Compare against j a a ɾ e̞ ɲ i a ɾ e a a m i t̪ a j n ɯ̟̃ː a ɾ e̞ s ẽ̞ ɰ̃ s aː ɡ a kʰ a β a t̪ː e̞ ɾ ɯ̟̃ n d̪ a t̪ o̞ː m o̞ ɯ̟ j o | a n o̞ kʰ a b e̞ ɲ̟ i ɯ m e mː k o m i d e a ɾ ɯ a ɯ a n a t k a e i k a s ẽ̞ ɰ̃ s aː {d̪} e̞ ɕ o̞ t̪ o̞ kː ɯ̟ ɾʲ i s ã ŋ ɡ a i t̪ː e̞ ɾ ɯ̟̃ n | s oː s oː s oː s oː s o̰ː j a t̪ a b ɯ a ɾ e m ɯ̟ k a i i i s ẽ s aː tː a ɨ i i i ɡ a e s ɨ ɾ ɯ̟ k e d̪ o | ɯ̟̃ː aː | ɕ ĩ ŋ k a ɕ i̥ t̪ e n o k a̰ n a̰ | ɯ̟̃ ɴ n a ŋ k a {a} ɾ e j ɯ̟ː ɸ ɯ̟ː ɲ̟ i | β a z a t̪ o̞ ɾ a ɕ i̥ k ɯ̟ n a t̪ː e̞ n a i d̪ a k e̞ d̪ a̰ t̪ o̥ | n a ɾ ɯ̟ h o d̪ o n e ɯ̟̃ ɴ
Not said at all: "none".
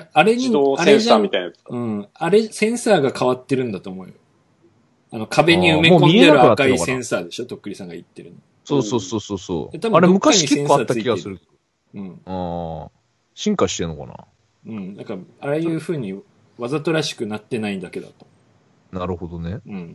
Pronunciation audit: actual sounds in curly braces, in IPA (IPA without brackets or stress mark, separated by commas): d̪, a